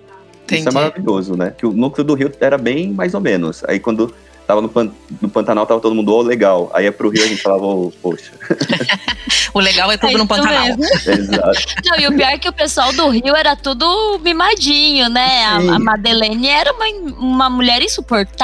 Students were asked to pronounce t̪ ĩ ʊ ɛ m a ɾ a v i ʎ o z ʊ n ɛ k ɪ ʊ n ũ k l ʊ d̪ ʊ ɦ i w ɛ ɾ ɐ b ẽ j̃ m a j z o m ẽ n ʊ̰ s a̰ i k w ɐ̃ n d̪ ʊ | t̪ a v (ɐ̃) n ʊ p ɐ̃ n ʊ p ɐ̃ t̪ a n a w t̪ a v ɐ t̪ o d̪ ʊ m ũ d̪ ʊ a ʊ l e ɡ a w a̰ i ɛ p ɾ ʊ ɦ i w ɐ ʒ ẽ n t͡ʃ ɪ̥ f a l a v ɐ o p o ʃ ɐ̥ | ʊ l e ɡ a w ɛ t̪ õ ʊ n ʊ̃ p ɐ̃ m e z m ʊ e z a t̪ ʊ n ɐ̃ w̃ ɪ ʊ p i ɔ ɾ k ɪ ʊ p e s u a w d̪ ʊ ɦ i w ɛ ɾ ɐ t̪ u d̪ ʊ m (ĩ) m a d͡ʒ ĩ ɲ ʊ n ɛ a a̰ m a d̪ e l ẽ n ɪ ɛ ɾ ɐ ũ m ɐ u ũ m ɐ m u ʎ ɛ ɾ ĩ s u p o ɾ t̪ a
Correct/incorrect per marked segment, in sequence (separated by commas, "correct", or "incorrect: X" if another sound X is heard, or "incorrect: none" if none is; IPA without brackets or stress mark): incorrect: ɐ, incorrect: i